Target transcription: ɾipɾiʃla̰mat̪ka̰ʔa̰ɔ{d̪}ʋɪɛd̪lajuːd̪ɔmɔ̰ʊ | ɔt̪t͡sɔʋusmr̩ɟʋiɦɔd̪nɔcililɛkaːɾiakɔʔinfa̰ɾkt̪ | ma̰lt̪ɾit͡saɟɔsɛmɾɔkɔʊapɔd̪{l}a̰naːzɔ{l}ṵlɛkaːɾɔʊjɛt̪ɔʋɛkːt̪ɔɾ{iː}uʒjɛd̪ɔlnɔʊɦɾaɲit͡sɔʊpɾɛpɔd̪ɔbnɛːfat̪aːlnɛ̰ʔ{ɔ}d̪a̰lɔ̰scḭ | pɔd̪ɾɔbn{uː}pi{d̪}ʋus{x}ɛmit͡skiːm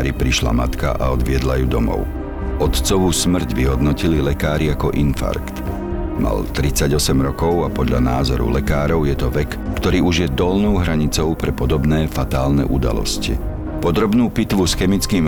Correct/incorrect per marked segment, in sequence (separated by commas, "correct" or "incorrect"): correct, incorrect, incorrect, correct, incorrect, correct, incorrect, correct